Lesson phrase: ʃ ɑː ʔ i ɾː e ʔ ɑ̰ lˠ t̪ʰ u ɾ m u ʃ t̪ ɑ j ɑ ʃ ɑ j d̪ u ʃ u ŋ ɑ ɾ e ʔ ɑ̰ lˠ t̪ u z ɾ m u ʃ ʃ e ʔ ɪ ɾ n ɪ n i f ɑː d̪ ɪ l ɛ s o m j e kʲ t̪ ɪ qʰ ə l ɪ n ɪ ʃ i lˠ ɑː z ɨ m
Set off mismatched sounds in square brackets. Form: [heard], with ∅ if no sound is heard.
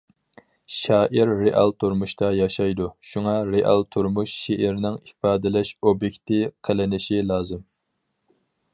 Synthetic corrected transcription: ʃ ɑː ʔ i ɾː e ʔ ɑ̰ lˠ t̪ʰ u ɾ m u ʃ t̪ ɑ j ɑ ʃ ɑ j d̪ u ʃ u ŋ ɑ ɾ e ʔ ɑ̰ lˠ [t̪ʰ] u [∅] ɾ m u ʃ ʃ e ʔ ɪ ɾ n ɪ [ŋ] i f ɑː d̪ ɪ l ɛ [ʃ] o [b] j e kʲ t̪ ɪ qʰ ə l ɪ n ɪ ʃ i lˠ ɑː z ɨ m